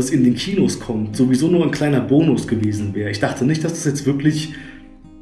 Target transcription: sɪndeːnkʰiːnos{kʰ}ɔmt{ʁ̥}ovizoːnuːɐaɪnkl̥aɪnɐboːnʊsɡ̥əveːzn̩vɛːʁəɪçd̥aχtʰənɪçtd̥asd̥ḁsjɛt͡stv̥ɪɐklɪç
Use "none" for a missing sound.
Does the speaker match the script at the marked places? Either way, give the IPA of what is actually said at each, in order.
kʰ, z̥

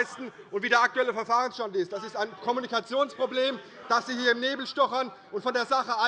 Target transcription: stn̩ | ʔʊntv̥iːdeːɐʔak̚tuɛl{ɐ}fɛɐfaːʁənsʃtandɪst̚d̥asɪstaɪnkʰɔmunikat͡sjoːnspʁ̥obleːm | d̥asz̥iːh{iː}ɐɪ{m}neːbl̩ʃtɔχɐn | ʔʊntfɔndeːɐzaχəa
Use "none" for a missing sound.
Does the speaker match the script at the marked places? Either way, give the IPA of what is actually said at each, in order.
ə, iː, m

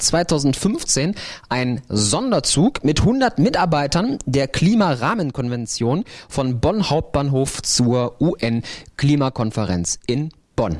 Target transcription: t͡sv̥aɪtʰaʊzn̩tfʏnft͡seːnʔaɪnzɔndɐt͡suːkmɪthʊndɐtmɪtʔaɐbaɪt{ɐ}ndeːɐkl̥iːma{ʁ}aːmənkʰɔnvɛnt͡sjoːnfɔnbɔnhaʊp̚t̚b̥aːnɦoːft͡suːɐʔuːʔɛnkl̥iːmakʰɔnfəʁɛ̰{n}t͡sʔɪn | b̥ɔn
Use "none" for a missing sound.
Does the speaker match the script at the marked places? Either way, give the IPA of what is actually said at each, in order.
ɐ, ʁ, n

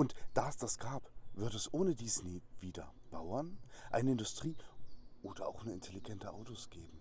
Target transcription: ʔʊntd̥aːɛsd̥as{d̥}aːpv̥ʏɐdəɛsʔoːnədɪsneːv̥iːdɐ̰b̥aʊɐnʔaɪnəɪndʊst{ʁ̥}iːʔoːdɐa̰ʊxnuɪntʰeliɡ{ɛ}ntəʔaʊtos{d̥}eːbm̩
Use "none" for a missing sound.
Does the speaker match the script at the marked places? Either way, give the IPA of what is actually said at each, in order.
ɡ̥, ʁ̥, ɛ, ɡ̥

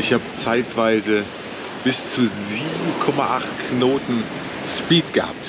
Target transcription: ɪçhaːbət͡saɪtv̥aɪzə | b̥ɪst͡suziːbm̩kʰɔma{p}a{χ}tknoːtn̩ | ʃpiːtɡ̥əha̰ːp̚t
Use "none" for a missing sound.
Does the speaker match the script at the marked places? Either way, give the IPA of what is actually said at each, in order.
ʔ, χ

